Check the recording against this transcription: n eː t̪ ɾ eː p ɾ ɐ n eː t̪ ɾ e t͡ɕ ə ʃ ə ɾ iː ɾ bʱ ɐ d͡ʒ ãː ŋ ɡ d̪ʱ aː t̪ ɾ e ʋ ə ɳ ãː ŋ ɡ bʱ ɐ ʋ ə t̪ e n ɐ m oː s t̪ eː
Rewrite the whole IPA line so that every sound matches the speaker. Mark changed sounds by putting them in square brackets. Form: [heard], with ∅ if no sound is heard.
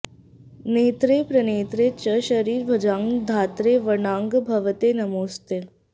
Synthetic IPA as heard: n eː t̪ ɾ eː p ɾ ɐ n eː t̪ ɾ e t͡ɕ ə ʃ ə ɾ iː ɾ bʱ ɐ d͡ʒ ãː ŋ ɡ d̪ʱ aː t̪ ɾ e ʋ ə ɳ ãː ŋ ɡ bʱ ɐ ʋ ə t̪ e n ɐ m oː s t̪ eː